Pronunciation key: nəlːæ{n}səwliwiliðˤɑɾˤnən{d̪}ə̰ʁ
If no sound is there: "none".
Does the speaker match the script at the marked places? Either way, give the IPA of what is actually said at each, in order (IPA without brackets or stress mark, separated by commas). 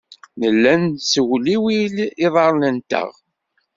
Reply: n, t̪